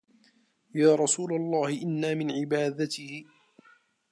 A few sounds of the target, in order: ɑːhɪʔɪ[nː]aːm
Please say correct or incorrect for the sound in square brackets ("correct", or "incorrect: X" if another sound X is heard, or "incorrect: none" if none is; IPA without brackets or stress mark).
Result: correct